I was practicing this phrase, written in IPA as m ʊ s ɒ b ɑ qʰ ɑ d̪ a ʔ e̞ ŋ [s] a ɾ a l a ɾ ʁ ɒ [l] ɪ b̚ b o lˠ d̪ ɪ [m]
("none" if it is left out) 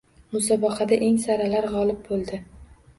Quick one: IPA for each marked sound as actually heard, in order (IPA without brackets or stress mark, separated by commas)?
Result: s, l, none